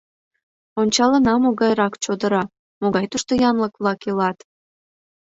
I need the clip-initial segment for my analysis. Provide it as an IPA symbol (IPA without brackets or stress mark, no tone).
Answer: o